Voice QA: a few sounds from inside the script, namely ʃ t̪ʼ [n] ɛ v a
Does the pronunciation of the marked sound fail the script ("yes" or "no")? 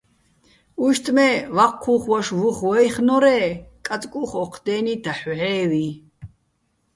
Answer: yes